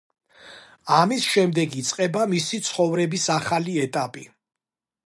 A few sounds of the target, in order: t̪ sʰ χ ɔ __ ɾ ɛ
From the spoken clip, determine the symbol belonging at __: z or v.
v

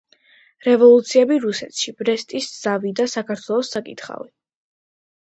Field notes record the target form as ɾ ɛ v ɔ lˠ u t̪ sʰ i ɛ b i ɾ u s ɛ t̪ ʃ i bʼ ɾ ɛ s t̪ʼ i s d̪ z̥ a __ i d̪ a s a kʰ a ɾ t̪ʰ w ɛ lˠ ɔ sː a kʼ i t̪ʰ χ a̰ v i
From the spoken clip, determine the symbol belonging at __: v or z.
v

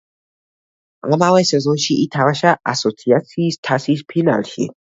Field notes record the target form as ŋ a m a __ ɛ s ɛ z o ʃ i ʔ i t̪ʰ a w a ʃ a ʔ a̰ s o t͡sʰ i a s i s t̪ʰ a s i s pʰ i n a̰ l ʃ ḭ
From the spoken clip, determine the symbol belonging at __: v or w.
w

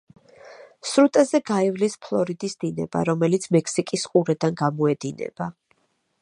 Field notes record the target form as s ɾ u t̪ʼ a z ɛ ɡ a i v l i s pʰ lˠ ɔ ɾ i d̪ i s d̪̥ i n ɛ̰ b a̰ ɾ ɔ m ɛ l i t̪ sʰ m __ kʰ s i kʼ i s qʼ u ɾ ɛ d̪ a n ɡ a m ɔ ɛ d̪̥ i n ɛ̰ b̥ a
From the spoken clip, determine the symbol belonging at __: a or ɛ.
ɛ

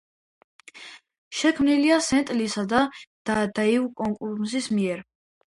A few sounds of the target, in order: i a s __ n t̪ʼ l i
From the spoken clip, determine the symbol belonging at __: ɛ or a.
ɛ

